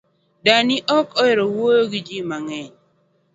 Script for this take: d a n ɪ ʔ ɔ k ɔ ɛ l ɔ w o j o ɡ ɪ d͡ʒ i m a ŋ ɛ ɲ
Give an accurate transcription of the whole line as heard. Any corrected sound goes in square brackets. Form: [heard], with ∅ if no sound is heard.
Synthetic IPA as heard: d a n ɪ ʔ ɔ k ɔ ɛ [ɾ] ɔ w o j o ɡ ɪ d͡ʒ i m a ŋ ɛ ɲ